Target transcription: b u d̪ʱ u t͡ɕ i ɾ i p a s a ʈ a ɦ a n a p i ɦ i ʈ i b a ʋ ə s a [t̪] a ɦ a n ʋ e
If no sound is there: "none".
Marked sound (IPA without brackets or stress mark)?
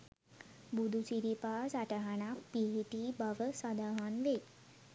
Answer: d̪